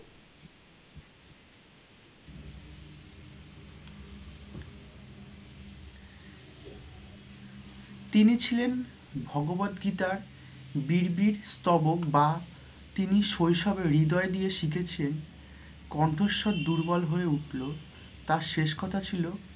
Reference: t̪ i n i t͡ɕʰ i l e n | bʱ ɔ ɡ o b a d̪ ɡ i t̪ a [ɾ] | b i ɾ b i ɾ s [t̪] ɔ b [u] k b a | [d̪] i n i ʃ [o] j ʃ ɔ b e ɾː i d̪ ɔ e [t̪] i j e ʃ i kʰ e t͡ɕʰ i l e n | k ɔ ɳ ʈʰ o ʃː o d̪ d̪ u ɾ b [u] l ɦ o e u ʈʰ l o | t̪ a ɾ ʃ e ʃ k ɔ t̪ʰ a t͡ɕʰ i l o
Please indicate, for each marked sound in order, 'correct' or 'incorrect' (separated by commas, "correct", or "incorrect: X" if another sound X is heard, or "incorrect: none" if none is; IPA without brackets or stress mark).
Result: correct, correct, incorrect: o, incorrect: t̪, correct, incorrect: d̪, incorrect: ɔ